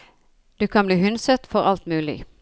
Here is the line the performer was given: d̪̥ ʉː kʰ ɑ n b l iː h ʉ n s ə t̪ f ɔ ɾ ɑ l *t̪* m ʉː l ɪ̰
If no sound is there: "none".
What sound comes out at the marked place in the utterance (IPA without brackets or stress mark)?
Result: t̪